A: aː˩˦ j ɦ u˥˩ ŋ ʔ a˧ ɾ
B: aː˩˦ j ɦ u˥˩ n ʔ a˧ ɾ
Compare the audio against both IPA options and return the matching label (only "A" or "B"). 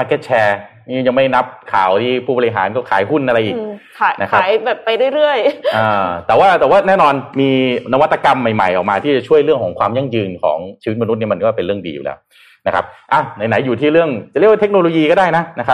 B